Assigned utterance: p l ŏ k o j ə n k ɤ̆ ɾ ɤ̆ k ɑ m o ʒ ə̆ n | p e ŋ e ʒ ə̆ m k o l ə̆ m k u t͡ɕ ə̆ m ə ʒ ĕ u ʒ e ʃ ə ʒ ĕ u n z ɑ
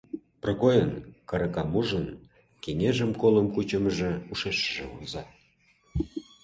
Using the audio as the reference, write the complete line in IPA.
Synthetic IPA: p r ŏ k o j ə n k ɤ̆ ɾ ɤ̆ k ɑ m u ʒ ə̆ n | k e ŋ e ʒ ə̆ m k o l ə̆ m k u t͡ɕ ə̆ m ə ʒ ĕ u ʃ e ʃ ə ʒ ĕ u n z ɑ